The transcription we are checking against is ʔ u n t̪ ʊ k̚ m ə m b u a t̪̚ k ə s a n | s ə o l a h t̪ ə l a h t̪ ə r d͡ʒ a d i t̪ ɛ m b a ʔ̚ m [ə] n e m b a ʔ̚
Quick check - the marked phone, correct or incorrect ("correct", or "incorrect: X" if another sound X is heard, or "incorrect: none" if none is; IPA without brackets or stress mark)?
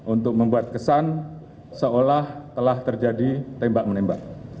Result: correct